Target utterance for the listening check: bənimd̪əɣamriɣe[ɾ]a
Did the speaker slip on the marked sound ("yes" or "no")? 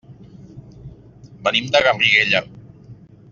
yes